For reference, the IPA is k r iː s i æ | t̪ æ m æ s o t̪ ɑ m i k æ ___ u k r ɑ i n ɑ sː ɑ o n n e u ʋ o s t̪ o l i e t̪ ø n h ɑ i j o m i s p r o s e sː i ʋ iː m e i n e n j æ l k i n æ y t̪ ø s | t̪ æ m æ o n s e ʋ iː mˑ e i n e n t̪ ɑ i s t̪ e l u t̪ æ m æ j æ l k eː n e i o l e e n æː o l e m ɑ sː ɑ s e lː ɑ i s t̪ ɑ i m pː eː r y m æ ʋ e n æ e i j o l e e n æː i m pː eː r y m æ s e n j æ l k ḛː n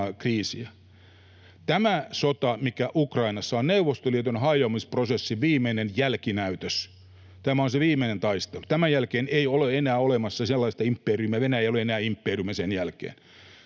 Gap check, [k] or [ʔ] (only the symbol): ʔ